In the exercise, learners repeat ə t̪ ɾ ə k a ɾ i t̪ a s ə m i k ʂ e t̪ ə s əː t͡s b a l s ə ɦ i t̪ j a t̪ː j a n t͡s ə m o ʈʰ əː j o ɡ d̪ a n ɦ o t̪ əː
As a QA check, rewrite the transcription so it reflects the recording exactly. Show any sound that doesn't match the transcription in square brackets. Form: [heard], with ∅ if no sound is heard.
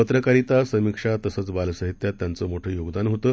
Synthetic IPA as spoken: ə t̪ ɾ ə k a ɾ i t̪ a s ə m i k ʂ [a] t̪ ə s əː t͡s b a l s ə ɦ i t̪ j a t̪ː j a n t͡s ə m o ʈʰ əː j o ɡ d̪ a n ɦ o t̪ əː